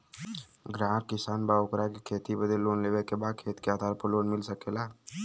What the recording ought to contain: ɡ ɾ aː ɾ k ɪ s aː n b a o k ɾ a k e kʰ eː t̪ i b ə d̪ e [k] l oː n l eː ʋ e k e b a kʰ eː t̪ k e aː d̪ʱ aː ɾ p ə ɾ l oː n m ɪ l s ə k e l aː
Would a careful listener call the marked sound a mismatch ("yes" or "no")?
yes